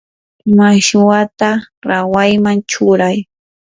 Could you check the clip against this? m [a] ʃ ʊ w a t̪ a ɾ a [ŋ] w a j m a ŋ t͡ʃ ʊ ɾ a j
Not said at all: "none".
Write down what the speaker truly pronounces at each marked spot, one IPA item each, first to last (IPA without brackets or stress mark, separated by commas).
a, none